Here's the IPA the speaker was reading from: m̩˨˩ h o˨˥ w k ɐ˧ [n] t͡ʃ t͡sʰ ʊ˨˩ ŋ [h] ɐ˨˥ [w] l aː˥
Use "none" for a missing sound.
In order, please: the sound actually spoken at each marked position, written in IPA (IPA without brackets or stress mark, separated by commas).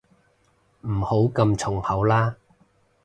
m, h, w